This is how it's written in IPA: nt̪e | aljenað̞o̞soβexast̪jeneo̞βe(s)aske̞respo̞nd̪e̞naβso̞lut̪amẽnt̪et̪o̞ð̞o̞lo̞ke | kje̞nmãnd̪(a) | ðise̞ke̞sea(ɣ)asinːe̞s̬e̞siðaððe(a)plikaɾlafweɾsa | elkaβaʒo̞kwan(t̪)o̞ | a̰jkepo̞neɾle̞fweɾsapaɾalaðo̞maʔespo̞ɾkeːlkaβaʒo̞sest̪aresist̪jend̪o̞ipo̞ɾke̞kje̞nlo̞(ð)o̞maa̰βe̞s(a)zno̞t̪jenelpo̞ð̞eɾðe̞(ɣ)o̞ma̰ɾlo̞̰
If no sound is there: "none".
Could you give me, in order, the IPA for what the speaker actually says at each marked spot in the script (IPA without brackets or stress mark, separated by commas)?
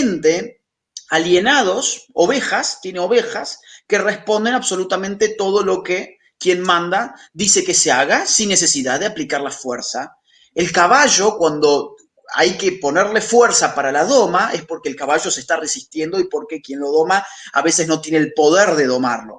x, a, ɣ, a, d̪, ð, e, ð